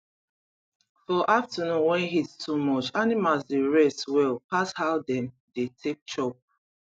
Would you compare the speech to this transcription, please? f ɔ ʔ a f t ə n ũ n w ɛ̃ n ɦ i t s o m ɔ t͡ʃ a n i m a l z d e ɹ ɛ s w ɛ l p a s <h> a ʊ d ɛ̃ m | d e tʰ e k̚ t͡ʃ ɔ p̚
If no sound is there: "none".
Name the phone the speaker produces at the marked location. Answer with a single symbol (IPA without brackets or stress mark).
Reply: h